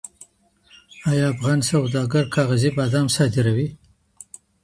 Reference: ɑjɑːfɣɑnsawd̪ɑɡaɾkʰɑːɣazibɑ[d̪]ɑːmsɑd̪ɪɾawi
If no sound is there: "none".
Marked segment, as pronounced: d̪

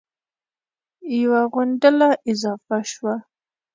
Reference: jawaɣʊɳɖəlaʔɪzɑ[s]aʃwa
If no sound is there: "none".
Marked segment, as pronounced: f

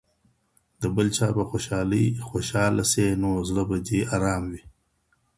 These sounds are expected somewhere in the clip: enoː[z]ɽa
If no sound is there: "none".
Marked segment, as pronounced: z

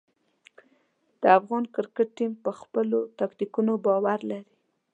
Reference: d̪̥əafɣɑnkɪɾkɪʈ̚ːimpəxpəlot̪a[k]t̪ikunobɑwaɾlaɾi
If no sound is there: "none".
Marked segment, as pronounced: k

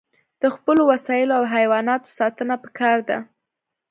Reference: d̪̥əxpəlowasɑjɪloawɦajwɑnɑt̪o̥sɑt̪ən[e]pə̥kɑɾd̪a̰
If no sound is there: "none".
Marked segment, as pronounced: a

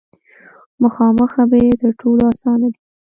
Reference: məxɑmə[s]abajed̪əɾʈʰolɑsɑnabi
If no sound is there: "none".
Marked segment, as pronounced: x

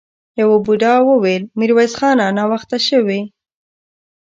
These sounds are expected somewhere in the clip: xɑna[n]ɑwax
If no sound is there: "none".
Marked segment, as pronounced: n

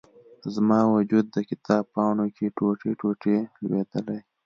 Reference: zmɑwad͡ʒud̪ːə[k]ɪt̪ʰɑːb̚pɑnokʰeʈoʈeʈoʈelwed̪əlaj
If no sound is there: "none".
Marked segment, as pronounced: k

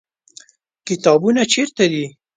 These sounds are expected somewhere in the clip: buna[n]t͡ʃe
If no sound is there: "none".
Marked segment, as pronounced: none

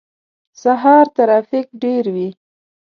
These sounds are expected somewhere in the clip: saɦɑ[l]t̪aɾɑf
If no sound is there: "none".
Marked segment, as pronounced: ɾ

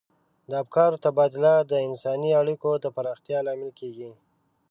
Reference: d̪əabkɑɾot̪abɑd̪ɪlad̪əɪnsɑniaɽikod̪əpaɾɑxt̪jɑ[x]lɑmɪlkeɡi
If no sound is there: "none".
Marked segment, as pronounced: none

